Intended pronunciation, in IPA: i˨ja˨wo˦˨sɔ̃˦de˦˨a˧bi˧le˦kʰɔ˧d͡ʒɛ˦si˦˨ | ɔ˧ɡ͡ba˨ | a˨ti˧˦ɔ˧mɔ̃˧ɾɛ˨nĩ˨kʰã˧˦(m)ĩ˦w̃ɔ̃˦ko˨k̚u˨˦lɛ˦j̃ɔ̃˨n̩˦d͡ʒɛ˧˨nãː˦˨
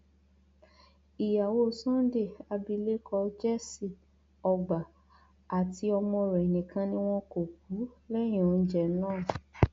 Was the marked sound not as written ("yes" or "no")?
yes